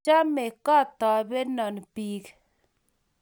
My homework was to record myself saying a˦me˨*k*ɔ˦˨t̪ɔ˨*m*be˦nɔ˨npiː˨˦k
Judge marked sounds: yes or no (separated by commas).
yes, no